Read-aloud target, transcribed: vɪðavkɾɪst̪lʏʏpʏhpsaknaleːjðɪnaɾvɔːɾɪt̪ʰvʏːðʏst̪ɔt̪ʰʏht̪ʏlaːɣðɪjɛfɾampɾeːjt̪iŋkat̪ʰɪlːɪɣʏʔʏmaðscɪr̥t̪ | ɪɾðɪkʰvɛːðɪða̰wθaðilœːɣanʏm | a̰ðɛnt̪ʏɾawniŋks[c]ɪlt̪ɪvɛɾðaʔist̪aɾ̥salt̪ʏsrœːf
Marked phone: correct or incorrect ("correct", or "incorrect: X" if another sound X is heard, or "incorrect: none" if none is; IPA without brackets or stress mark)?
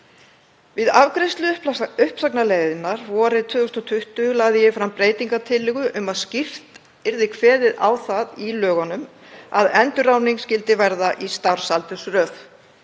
correct